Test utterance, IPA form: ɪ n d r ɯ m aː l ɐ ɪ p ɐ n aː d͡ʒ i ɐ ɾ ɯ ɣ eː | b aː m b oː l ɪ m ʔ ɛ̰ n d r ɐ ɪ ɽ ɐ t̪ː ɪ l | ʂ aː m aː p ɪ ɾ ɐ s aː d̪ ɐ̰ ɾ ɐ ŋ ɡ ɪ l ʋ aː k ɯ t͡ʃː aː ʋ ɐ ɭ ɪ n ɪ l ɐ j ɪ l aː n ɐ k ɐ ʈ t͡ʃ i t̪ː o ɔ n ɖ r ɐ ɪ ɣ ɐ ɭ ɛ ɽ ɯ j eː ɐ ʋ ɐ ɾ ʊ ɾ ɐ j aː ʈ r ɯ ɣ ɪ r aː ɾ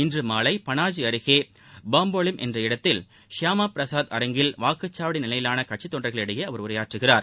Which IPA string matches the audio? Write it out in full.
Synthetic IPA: ɪ n d r ɯ m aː l ɐ ɪ p ɐ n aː d͡ʒ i ɐ ɾ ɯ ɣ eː | b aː m b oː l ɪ m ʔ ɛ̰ n d r ɐ ɪ ɽ ɐ t̪ː ɪ l | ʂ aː m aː p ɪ ɾ ɐ s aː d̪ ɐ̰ ɾ ɐ ŋ ɡ ɪ l ʋ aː k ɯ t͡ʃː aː ʋ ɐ ɽ ɪ n ɪ l ɐ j ɪ l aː n ɐ k ɐ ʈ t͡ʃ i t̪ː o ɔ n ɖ r ɐ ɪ ɣ ɐ ɭ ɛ ɽ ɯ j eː ɐ ʋ ɐ ɾ ʊ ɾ ɐ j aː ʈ r ɯ ɣ ɪ r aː ɾ